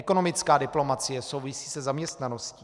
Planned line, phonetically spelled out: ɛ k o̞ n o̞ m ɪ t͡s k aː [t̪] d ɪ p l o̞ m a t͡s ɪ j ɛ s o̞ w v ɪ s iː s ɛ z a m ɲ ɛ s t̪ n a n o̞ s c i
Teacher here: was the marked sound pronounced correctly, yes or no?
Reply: no